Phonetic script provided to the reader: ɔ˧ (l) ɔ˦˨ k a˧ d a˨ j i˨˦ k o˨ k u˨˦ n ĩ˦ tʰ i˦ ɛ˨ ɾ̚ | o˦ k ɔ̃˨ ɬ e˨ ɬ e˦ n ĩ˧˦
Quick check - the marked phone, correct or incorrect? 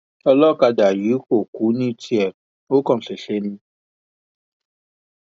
correct